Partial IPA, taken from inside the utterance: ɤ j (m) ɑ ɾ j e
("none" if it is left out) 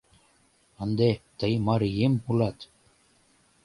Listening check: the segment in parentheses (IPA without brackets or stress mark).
m